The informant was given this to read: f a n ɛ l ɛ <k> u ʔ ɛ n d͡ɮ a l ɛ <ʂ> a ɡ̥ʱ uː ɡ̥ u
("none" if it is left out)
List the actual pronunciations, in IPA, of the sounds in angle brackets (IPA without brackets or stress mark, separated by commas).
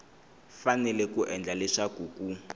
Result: k, ʂ